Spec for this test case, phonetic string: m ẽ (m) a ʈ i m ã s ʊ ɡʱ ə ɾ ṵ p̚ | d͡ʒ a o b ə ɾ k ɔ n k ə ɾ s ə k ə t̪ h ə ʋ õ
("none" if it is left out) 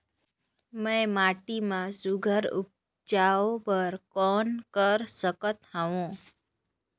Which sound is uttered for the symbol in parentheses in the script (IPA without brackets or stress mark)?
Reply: m